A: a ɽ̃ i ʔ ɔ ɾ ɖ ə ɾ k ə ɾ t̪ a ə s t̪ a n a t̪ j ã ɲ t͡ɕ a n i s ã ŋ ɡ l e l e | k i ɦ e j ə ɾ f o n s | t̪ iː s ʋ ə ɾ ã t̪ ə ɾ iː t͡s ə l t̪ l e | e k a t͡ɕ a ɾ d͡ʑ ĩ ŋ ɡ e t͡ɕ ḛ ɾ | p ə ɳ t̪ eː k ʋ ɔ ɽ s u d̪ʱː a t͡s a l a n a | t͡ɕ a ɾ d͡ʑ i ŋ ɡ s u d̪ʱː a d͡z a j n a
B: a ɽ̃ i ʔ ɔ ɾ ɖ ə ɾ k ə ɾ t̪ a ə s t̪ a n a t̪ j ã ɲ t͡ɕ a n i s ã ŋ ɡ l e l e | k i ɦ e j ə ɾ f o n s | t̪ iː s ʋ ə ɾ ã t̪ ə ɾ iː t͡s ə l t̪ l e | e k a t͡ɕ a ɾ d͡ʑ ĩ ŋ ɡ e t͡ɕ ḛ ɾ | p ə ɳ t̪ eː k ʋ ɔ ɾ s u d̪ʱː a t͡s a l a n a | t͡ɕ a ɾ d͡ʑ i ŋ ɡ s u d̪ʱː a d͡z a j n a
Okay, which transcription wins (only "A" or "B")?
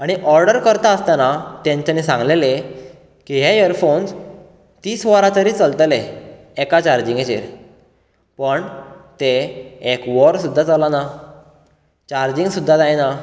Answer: B